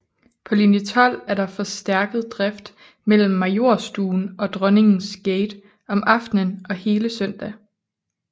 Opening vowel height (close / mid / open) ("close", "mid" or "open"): open